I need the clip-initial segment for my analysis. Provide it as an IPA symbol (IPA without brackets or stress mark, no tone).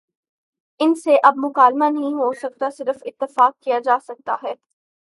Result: ɪ